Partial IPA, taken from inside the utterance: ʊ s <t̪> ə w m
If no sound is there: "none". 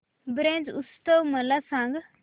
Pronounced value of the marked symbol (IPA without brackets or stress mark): t̪